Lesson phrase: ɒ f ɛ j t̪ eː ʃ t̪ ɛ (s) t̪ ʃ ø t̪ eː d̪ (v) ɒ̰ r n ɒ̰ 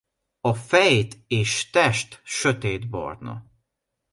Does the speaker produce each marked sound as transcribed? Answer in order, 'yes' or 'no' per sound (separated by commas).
no, no